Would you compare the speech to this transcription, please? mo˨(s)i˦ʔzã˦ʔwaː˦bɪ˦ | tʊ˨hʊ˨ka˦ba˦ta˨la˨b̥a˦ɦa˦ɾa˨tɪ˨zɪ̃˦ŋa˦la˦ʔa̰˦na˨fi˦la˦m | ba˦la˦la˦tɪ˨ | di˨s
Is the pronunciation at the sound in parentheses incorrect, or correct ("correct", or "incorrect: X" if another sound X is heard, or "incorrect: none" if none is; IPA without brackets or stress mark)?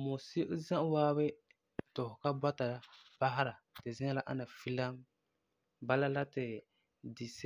correct